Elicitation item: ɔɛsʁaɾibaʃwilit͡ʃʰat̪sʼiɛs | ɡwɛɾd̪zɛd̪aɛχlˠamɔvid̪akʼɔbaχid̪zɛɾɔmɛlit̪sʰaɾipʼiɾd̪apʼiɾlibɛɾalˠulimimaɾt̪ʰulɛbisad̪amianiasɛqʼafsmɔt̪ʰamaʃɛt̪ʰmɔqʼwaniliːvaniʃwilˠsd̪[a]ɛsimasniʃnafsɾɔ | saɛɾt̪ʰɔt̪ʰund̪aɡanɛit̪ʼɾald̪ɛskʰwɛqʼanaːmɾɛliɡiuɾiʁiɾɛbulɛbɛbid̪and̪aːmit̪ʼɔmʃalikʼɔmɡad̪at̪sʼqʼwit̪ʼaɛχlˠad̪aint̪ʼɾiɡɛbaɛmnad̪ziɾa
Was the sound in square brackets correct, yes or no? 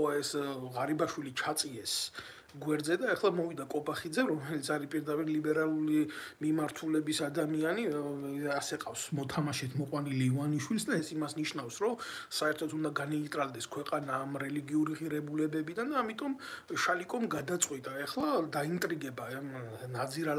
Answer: yes